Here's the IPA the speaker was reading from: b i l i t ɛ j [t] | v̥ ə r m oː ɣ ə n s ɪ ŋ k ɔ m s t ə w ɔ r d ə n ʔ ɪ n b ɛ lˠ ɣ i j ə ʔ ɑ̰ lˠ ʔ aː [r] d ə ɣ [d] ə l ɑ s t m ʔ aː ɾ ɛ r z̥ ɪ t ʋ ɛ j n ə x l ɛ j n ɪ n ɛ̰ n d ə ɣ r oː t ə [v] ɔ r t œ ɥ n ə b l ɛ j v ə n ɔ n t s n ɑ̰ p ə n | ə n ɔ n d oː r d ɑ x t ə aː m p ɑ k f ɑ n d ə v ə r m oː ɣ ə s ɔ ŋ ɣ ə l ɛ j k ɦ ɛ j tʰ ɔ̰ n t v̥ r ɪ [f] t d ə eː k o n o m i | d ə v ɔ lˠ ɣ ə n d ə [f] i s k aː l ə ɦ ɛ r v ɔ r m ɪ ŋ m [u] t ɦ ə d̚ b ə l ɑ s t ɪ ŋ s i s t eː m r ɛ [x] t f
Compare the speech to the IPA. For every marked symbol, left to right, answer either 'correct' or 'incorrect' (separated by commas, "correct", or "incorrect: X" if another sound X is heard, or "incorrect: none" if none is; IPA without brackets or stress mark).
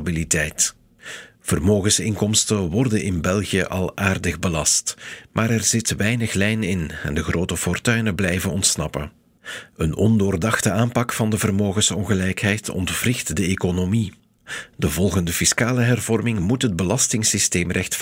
correct, correct, incorrect: b, incorrect: f, incorrect: x, correct, correct, correct